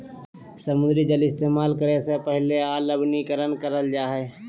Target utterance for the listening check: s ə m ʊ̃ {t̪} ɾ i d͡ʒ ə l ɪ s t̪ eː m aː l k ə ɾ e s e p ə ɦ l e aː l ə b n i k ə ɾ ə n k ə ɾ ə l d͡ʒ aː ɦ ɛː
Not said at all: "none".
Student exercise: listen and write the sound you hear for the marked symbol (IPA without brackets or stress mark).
d̪